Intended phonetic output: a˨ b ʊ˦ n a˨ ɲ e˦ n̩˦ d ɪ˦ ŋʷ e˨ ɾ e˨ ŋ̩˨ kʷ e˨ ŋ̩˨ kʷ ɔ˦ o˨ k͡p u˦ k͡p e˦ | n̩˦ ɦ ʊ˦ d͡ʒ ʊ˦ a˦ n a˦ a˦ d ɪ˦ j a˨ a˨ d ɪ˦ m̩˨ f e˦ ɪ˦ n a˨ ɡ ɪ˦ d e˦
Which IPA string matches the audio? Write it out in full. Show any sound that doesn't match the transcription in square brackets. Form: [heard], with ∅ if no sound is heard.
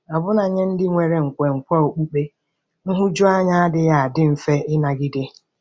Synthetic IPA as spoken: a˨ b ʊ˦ n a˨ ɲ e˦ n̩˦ d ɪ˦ ŋʷ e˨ ɾ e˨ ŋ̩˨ kʷ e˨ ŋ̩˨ kʷ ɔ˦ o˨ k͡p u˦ k͡p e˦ | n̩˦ ɦ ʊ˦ d͡ʒ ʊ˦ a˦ [ɲ] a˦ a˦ d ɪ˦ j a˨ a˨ d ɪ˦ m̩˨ f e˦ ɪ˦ n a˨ ɡ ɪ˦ d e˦

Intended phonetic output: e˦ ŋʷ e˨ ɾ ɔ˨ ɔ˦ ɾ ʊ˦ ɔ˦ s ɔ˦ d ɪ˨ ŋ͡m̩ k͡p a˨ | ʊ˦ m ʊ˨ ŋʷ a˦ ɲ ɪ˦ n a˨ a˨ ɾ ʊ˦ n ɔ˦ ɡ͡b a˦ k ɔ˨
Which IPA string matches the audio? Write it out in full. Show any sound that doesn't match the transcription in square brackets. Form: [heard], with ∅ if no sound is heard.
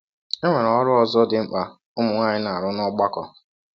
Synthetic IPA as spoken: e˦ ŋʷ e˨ ɾ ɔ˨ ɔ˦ ɾ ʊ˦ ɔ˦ [z] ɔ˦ d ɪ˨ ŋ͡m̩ k͡p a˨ | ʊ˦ m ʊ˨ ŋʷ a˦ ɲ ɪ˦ n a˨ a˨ ɾ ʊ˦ n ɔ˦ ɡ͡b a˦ k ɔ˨

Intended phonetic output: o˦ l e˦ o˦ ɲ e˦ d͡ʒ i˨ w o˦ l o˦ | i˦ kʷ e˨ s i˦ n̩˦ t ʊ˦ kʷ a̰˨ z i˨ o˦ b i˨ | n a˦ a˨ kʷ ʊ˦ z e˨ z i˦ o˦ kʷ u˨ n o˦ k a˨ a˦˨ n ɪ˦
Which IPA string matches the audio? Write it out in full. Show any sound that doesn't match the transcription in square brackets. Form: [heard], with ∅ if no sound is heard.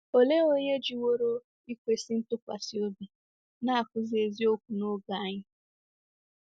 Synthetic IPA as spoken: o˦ l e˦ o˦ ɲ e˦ d͡ʒ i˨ w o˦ [ɾ] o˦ | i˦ kʷ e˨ s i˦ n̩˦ t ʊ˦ kʷ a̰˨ [s] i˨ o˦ b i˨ | n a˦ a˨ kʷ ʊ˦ z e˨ z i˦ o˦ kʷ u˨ n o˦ [ɡ] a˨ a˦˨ [ɲ] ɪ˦

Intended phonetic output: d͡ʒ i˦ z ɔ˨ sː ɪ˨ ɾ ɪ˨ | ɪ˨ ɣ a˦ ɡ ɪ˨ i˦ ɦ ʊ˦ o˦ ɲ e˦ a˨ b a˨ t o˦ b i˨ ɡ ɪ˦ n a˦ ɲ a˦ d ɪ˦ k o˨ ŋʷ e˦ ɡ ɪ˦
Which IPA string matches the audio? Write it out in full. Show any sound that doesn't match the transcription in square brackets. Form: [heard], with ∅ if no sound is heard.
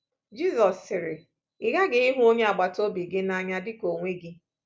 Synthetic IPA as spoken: d͡ʒ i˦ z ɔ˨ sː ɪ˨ ɾ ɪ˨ | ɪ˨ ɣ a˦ ɡ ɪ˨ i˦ ɦ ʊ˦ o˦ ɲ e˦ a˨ [ɡ͡b] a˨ t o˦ b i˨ ɡ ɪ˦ n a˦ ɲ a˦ d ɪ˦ k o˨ ŋʷ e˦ ɡ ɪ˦

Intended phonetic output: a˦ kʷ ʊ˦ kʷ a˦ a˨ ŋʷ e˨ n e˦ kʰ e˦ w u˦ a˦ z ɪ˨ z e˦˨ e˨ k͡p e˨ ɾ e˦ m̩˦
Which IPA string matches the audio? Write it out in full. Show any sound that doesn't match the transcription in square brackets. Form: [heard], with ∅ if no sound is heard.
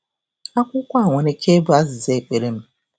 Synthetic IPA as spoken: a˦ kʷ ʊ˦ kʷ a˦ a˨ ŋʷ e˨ n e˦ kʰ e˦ [b] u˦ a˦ z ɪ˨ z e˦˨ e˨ k͡p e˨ ɾ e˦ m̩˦

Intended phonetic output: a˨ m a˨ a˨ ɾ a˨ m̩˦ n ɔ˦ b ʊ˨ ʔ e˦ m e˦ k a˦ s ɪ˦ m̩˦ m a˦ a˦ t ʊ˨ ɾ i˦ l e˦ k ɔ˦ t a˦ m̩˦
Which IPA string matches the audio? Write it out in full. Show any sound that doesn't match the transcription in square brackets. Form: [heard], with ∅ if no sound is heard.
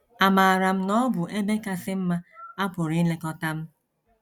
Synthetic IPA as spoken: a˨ m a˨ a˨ ɾ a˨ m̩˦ n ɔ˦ b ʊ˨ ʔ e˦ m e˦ k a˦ s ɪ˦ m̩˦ m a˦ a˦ [p] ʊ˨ ɾ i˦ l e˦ k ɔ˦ t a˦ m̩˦

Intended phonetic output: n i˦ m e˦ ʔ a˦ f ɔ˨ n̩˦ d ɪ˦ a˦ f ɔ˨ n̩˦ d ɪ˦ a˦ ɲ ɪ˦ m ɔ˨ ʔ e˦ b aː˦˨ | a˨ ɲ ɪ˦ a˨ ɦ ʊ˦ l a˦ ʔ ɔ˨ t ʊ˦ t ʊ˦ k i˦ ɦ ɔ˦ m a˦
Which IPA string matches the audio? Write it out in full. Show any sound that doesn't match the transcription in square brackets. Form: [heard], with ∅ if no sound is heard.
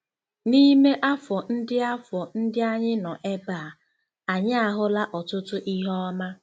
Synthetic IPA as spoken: n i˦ m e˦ ʔ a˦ f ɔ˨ n̩˦ d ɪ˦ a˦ f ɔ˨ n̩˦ d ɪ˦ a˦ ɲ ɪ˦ [n] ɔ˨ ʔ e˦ b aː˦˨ | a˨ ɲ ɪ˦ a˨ ɦ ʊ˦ l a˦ ʔ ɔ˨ t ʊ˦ t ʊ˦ [ʔ] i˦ ɦ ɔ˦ m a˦

